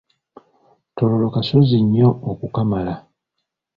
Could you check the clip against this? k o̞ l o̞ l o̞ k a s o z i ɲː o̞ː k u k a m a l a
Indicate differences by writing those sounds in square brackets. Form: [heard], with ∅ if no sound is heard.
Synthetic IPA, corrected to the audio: [t] o̞ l o̞ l o̞ k a s o z i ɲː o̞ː k u k a m a l a